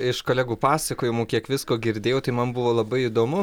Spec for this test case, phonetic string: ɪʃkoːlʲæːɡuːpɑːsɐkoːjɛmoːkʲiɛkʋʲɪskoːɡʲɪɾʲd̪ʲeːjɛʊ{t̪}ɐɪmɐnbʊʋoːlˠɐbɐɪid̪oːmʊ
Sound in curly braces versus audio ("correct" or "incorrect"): correct